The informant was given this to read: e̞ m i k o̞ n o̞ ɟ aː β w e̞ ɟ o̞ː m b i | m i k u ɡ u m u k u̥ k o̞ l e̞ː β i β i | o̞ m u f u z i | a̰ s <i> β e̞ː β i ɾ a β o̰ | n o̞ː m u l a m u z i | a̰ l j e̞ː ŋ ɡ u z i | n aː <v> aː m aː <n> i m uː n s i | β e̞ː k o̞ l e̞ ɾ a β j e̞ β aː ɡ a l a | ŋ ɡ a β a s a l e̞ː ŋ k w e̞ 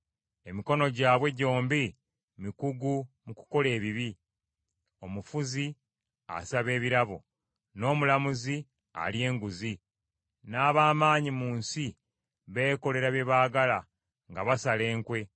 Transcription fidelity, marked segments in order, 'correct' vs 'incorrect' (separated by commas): incorrect, incorrect, incorrect